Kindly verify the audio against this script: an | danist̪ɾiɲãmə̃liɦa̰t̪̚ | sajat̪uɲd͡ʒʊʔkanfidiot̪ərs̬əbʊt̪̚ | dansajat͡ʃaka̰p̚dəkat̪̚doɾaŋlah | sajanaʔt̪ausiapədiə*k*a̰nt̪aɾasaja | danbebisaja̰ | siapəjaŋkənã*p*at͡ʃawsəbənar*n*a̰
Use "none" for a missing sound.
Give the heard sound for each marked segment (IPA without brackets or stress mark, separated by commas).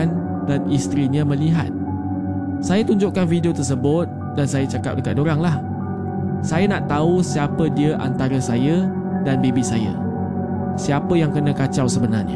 ʔ, k, ɲ